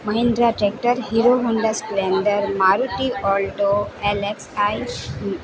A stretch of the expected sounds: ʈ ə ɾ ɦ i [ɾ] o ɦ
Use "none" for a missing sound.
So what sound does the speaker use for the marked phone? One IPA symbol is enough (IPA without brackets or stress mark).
ɾ